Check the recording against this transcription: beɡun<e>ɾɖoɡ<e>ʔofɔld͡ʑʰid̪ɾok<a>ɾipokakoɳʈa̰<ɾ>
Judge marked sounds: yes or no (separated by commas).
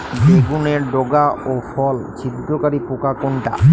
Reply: yes, no, yes, no